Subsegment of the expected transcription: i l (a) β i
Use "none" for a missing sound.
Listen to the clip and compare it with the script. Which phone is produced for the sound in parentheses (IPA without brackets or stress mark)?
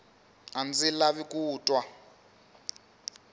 a